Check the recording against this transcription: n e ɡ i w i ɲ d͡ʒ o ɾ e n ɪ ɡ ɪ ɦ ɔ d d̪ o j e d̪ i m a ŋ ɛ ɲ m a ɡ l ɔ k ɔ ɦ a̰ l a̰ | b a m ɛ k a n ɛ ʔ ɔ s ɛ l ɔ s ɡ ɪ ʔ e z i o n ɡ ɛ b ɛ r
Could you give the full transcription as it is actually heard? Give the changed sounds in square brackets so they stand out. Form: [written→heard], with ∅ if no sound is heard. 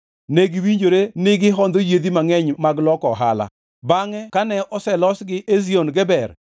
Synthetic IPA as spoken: n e ɡ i w i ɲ d͡ʒ o ɾ e n ɪ ɡ ɪ ɦ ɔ [d→n] d̪ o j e d̪ i m a ŋ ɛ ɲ m a ɡ l ɔ k ɔ ɦ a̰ l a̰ | b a [m→ŋ] ɛ k a n ɛ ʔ ɔ s ɛ l ɔ s ɡ ɪ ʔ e z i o n ɡ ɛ b ɛ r